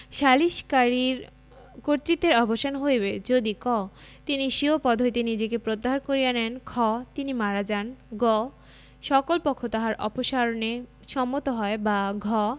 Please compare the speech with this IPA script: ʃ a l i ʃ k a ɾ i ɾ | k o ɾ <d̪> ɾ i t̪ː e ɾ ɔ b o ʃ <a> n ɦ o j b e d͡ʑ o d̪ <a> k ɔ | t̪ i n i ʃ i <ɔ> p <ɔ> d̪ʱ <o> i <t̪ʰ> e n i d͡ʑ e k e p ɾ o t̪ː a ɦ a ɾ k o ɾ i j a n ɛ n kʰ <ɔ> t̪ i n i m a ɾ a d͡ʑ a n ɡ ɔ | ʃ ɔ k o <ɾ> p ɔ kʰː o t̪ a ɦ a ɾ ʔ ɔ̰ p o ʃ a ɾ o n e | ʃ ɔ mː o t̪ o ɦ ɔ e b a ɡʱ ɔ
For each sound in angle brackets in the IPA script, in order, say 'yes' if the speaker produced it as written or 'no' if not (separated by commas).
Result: no, yes, no, no, yes, yes, no, yes, no